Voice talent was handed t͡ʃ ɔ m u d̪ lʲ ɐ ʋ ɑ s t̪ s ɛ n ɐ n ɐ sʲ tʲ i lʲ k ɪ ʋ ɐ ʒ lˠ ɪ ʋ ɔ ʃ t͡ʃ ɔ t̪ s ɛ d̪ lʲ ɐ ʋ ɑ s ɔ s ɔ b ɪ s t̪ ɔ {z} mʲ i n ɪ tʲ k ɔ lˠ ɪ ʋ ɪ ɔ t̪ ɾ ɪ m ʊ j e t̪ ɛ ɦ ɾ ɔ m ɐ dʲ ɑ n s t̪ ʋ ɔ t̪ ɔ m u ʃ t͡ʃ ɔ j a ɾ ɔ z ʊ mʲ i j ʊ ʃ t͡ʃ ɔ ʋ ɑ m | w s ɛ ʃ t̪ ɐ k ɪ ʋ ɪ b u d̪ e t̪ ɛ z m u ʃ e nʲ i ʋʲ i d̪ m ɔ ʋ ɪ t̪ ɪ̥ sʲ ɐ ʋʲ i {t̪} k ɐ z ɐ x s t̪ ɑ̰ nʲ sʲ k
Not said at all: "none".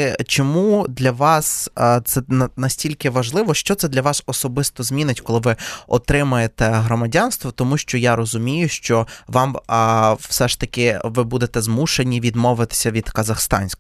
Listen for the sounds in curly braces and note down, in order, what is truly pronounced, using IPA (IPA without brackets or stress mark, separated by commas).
z, d̪